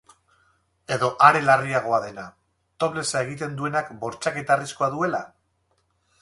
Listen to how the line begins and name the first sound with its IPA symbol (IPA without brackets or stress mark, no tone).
e̞